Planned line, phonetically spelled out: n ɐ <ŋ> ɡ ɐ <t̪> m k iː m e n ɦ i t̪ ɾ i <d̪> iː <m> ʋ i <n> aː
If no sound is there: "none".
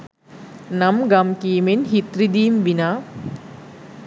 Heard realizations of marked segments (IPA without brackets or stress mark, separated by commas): m, none, d̪, m, n